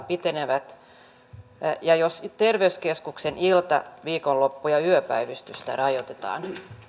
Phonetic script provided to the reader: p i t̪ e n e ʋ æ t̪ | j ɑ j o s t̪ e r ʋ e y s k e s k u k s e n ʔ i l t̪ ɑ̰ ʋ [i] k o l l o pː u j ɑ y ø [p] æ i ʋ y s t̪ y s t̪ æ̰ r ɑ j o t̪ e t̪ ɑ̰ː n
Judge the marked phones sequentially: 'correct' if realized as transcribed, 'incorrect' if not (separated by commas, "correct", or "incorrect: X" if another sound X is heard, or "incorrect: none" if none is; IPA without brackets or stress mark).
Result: incorrect: iː, correct